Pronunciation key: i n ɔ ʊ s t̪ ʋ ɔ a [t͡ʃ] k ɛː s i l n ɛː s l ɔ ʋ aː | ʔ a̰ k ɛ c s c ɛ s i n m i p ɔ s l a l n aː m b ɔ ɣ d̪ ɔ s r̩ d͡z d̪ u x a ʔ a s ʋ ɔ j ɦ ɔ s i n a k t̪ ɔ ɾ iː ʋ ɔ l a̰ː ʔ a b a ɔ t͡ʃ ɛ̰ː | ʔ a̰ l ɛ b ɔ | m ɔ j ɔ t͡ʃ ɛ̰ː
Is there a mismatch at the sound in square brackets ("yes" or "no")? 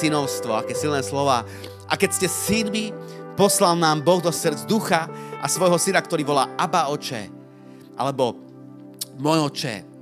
yes